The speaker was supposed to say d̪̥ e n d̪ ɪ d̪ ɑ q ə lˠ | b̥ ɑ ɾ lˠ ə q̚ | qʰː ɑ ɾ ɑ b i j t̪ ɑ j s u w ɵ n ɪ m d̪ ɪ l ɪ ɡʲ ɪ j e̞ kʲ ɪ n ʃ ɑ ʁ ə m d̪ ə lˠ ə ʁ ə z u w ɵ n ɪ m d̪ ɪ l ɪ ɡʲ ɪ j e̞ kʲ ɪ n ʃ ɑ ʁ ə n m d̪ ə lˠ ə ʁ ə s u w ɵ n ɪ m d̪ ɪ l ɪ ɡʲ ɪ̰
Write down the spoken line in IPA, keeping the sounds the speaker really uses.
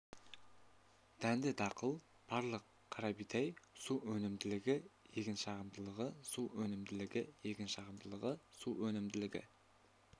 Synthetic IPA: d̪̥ æ n d̪ ɪ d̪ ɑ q ə lˠ | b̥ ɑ ɾ lˠ ə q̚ | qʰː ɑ ɾ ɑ b i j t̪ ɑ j s u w ɵ n ɪ m d̪ ɪ l ɪ ɡʲ ɪ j e̞ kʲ ɪ n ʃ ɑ ʁ ə m d̪ ə lˠ ə ʁ ə s u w ɵ n ɪ m d̪ ɪ l ɪ ɡʲ ɪ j e̞ kʲ ɪ n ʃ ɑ ʁ ə m d̪ ə lˠ ə ʁ ə s u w ɵ n ɪ m d̪ ɪ l ɪ ɡʲ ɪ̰